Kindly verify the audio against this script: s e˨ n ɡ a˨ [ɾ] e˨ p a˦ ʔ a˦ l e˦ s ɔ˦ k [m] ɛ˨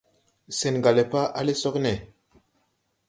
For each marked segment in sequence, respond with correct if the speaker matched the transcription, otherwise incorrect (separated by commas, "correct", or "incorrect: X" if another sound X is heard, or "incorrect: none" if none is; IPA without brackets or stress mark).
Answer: incorrect: l, incorrect: n